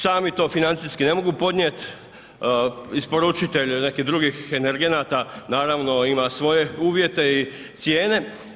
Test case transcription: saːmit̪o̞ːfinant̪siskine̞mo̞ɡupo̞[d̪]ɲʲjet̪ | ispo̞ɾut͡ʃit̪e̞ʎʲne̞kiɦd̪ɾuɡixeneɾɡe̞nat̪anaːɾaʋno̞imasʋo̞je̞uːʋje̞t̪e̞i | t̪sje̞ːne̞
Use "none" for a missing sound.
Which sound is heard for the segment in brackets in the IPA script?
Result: d̪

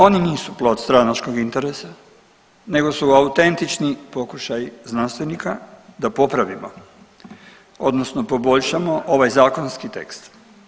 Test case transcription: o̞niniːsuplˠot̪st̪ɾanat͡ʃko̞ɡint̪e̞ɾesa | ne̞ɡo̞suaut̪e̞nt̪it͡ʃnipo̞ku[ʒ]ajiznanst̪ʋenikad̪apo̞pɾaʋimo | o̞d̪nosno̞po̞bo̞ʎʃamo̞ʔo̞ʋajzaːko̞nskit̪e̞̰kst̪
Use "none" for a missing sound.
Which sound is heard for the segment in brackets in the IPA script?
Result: ʃ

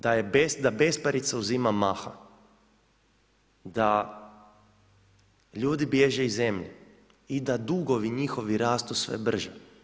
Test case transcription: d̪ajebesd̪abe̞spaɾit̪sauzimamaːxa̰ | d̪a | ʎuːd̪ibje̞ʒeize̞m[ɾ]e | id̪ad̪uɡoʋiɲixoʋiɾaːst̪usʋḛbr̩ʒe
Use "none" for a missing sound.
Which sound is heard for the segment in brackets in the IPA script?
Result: ʎ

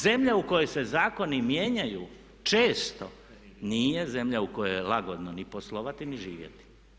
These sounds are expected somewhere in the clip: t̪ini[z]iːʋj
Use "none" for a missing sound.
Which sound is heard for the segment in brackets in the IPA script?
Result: ʒ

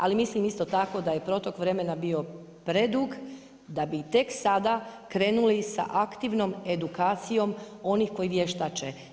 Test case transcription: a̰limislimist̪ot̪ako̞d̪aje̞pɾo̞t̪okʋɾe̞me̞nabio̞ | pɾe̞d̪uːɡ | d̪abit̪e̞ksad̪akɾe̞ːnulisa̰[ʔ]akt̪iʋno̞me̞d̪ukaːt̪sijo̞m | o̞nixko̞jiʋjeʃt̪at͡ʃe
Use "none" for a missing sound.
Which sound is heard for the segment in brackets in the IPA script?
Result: ʔ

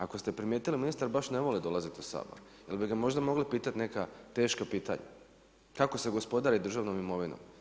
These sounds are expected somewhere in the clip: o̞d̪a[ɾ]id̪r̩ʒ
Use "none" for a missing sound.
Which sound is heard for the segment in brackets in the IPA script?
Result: ɾ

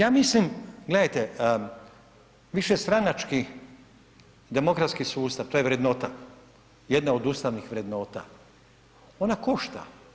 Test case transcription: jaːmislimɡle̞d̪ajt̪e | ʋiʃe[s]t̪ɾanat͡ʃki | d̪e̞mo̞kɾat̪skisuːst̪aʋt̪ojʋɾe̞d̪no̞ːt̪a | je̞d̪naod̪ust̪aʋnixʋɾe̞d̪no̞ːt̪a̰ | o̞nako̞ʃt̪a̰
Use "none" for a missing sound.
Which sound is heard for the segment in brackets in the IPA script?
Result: s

